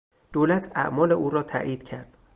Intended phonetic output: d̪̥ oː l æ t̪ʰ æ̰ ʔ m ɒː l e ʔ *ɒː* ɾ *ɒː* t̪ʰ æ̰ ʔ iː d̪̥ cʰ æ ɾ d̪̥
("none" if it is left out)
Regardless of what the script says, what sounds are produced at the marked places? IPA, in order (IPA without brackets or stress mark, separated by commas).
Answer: uː, ɒː